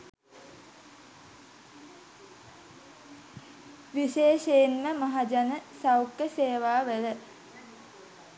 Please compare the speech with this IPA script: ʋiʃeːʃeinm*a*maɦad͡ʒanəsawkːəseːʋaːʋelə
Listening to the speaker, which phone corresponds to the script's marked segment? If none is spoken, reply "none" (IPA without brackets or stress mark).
ə